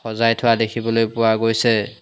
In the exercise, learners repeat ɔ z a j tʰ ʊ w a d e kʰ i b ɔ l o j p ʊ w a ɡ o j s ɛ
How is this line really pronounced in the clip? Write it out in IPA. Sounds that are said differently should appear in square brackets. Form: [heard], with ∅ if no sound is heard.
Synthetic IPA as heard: ɔ z a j tʰ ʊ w a d e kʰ i b ɔ l o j p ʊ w a ɡ o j s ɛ